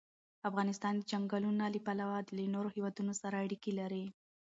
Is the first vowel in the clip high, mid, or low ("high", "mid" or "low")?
low